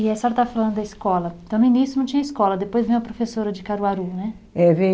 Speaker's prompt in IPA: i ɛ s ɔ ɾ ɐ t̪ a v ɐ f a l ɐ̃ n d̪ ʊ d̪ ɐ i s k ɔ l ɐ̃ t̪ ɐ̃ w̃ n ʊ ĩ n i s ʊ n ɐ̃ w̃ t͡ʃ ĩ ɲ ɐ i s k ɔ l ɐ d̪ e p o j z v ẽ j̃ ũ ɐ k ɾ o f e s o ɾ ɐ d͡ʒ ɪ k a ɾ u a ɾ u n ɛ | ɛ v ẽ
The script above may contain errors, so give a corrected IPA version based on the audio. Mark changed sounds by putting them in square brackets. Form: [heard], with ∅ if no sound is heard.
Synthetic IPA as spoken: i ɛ s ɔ ɾ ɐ t̪ a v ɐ f a l ɐ̃ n d̪ ʊ d̪ ɐ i s k ɔ l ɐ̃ t̪ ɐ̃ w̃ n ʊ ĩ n i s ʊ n ɐ̃ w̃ t͡ʃ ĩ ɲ ɐ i s k ɔ l ɐ d̪ e p o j z v ẽ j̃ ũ ɐ [p] ɾ o f e s o ɾ ɐ d͡ʒ ɪ k a ɾ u a ɾ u n ɛ | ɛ v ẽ